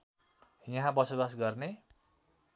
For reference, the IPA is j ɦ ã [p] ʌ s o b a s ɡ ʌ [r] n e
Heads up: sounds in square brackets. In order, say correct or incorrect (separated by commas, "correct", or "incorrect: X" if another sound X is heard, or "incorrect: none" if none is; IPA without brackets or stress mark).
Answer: incorrect: b, correct